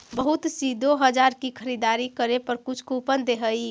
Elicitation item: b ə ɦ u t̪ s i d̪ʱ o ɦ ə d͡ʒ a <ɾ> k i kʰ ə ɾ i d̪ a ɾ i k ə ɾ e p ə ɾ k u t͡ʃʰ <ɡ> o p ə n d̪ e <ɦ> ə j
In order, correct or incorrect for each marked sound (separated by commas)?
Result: correct, incorrect, correct